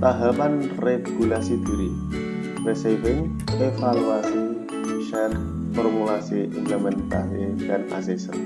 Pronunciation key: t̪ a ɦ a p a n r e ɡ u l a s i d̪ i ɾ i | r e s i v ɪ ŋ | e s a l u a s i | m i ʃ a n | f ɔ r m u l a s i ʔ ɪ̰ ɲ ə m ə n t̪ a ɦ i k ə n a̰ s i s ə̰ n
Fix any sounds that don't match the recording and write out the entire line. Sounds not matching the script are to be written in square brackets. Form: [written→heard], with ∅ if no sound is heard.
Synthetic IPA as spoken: t̪ a ɦ a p a n r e ɡ u l a s i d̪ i ɾ i | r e s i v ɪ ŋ | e [s→f] a l u a s i | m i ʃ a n | f ɔ r m u l a s i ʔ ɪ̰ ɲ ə m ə n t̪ a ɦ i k [ə→a] n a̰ s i s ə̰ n